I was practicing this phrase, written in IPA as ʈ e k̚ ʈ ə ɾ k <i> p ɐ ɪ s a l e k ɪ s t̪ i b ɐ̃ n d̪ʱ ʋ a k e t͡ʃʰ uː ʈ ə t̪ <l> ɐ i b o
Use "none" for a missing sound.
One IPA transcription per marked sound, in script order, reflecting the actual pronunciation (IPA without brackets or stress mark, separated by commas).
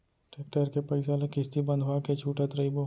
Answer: e, ɾ